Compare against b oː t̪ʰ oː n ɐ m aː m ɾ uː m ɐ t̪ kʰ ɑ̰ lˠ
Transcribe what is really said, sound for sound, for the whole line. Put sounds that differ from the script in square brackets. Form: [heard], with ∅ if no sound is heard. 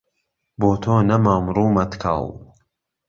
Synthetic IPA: b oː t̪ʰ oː n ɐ m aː m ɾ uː m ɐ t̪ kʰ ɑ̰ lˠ